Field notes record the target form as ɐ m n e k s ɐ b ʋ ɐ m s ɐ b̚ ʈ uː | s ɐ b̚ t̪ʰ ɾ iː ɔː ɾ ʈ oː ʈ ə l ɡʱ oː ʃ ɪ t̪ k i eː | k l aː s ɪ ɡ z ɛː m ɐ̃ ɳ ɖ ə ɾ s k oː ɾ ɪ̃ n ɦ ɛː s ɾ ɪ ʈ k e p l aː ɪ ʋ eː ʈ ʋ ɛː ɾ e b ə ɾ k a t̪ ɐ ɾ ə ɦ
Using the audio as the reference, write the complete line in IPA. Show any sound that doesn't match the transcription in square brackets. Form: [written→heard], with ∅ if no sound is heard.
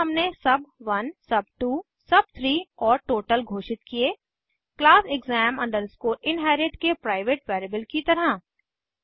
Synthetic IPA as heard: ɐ m n e [k→∅] s ɐ b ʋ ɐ [m→n] s ɐ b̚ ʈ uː | s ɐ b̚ t̪ʰ ɾ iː ɔː ɾ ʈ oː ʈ ə l ɡʱ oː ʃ ɪ t̪ k i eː | k l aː s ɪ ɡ z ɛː m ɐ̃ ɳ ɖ ə ɾ s k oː ɾ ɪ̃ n ɦ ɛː [s→∅] ɾ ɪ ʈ k e p [l→ɾ] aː ɪ ʋ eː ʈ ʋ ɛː ɾ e b ə [ɾ→l] k [a→i] t̪ ɐ ɾ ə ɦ